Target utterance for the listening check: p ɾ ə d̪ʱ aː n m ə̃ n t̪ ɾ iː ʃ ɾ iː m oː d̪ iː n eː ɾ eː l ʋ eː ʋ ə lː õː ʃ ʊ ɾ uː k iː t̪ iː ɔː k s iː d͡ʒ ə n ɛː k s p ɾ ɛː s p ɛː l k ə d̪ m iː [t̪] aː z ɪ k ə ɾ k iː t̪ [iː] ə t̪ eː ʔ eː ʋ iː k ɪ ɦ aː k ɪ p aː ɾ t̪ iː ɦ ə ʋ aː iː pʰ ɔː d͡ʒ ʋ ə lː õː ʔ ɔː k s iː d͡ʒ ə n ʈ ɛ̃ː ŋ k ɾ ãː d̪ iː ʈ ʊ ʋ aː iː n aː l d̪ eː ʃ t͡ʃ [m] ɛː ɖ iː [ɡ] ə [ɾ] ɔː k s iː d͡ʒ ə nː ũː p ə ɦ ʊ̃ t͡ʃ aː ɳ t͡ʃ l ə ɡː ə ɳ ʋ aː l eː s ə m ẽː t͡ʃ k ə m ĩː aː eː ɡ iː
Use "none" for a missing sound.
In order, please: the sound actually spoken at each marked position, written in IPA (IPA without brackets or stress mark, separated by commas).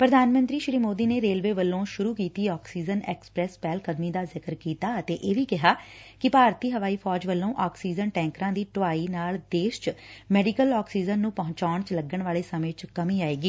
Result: d̪, aː, m, k, l